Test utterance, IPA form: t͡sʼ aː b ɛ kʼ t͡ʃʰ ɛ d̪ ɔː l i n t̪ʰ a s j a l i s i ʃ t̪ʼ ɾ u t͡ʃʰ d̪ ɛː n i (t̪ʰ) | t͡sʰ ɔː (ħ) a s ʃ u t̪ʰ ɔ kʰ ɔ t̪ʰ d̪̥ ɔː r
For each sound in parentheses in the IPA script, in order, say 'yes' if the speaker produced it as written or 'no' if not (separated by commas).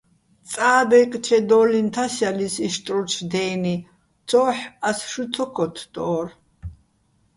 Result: no, yes